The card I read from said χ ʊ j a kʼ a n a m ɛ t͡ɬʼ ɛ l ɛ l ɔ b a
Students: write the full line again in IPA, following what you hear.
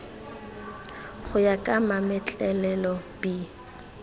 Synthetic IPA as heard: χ ʊ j a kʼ a m a m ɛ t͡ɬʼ ɛ l ɛ l ɔ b i

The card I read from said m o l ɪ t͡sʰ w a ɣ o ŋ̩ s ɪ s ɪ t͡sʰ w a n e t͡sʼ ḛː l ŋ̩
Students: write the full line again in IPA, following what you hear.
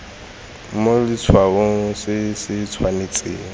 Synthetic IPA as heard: m o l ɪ t͡sʰ w a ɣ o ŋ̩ s ɪ s ɪ t͡sʰ w a n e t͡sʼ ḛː ŋ̩

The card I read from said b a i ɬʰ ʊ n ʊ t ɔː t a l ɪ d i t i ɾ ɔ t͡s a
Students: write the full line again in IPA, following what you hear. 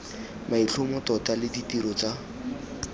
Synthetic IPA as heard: m a i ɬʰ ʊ m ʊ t ɔ t a l ɪ d i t i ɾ ɔ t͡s a

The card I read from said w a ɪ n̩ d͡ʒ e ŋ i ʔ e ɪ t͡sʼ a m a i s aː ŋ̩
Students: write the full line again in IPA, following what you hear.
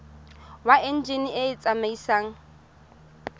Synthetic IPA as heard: w a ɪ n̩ d͡ʒ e n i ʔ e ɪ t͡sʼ a m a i s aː ŋ̩

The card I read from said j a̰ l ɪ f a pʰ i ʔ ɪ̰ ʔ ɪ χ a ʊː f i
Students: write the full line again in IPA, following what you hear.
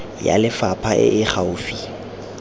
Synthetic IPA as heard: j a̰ l ɪ f a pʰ a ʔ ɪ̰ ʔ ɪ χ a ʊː f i

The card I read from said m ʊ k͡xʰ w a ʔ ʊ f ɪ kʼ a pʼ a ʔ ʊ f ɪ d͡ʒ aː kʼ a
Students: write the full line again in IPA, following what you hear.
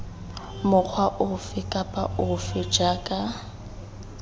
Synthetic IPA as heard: m ʊ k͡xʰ w a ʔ ʊ f ɪ kʼ a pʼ a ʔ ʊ f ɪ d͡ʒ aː kʼ a

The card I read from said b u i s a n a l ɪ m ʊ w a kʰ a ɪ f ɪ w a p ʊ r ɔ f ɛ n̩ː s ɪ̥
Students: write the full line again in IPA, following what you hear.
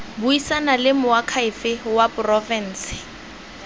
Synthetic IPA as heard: b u i s a n a l ɪ m ʊ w a kʰ a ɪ f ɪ w a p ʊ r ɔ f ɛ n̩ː s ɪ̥

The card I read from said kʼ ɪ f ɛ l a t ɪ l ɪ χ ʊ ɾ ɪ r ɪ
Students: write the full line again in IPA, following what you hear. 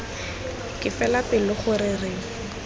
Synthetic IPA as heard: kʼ ɪ f ɛ l a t ɪ l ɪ χ ʊ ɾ ɪ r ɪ

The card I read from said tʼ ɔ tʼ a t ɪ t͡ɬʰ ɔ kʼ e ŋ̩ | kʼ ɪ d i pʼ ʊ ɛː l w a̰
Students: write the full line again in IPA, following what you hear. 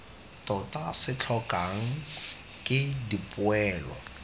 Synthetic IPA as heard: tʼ ɔ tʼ a s ɪ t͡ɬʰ ɔ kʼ a ŋ̩ | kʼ ɪ d i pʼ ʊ ɛː l w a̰

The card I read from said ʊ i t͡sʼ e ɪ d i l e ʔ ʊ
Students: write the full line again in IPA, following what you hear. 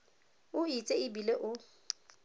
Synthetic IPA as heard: ʊ i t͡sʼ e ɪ b i l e ʔ ʊ

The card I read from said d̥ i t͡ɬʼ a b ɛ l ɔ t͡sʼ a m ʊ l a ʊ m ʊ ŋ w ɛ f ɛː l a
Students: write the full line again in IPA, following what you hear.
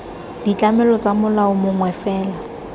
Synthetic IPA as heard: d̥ i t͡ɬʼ a m ɛ l ɔ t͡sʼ a m ʊ l a ʊ m ʊ ŋ w ɛ f ɛː l a

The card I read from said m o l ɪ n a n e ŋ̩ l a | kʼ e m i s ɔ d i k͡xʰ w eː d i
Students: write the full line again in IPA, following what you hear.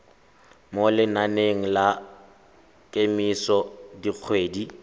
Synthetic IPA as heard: m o l ɪ n a n e ŋ̩ l a | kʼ e m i s ɔ d i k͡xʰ w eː d i

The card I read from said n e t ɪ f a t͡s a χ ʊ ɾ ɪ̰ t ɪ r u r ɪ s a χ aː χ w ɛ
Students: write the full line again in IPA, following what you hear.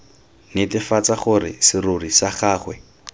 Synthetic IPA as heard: n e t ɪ f a t͡s a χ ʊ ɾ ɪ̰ s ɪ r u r i s a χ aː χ w ɛ

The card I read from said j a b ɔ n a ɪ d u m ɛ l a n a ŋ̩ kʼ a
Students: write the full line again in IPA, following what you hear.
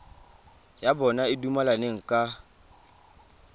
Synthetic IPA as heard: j a b ɔ n a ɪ d u m a l a n e ŋ̩ kʼ a

